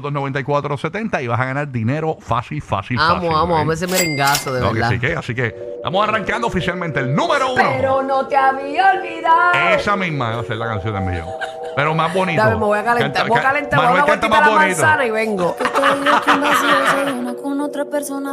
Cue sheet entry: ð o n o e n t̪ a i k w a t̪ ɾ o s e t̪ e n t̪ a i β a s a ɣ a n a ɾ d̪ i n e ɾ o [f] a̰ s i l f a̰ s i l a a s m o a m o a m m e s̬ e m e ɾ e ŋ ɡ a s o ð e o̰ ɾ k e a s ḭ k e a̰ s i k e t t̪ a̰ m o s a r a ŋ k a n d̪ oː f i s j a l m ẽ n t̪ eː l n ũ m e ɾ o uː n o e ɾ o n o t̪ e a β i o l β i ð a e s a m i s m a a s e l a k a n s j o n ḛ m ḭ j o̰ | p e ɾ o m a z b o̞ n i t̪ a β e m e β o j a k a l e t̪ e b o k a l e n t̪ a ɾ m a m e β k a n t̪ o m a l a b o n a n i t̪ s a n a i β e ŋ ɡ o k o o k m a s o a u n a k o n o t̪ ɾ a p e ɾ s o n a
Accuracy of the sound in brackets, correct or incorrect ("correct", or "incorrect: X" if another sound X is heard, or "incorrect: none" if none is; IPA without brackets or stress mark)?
correct